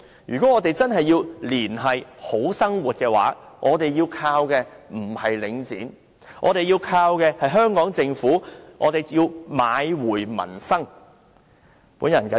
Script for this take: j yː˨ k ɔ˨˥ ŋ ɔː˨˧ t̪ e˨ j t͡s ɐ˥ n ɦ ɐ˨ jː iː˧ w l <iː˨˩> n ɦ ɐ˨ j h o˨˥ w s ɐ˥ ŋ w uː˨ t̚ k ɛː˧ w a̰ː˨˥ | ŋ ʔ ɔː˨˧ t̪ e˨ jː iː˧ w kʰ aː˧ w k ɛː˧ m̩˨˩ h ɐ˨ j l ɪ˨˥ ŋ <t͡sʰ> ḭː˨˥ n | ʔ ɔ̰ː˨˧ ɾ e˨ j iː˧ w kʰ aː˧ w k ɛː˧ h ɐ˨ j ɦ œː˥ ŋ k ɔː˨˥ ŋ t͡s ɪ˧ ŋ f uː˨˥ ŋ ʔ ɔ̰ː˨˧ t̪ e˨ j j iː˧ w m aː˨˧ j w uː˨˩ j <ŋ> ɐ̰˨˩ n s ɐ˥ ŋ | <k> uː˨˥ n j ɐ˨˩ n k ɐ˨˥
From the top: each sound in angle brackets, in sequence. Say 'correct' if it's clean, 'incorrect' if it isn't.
correct, incorrect: t͡s, incorrect: m, incorrect: p

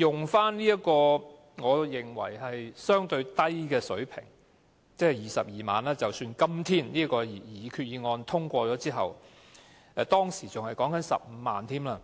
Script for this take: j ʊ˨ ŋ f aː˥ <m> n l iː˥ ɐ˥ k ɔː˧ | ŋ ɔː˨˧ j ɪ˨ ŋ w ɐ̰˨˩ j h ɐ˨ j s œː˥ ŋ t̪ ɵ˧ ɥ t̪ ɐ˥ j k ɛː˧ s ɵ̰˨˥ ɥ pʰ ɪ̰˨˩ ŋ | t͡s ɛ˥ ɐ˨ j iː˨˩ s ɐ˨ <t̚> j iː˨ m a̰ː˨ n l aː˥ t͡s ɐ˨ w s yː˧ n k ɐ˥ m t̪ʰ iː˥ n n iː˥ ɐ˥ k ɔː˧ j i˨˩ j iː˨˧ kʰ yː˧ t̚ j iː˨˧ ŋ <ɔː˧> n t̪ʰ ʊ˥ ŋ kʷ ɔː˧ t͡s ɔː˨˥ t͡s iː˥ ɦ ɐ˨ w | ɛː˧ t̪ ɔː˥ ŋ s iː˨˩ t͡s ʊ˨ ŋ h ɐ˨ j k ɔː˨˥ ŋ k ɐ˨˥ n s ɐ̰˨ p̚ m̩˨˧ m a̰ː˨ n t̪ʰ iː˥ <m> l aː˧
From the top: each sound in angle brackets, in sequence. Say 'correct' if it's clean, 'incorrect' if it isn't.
incorrect: n, incorrect: p̚, correct, correct

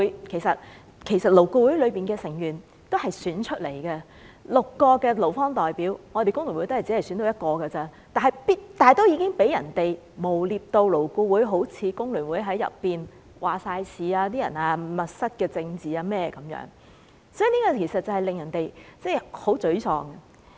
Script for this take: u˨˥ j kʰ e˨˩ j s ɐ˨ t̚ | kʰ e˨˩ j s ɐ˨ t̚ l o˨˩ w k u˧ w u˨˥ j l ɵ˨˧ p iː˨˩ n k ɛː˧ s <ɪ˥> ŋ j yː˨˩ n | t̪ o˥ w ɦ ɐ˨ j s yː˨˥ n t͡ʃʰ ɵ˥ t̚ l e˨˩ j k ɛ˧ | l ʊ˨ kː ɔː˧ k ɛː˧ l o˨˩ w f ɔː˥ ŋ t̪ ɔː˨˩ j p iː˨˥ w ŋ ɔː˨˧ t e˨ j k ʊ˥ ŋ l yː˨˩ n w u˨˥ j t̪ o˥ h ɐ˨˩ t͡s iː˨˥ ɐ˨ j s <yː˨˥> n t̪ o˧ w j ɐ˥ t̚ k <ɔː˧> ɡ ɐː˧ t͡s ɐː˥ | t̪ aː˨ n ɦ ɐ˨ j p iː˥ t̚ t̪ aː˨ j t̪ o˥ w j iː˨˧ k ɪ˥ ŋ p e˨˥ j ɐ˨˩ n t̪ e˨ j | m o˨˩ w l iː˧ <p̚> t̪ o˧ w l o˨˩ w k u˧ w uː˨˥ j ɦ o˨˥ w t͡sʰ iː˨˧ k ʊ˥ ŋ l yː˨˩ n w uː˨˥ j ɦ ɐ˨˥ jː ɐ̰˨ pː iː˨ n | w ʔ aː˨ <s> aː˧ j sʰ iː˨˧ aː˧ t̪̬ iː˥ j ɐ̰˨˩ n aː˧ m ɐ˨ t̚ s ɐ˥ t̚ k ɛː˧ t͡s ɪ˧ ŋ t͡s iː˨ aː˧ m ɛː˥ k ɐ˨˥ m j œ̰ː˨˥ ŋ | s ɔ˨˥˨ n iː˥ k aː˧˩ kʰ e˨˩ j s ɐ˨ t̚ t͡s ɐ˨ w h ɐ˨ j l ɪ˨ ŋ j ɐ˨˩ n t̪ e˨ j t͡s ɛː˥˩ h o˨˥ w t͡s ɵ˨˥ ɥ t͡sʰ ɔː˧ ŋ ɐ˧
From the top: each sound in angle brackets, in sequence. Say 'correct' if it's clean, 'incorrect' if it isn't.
incorrect: ɪ˨˩, incorrect: y˨˥, correct, correct, correct

